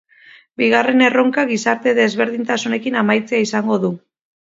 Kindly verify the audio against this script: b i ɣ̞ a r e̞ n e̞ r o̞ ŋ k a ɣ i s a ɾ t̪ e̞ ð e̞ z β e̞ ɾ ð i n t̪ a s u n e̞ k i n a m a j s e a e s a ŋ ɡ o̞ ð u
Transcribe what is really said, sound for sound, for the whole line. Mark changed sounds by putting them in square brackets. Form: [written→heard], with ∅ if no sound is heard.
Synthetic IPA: b i ɣ̞ a r e̞ n e̞ r o̞ ŋ k a ɣ i s a ɾ t̪ e̞ ð e̞ z β e̞ ɾ ð i n t̪ a s u n e̞ k i n a m a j [s→t͡s] e a [e→i] s a ŋ ɡ o̞ ð u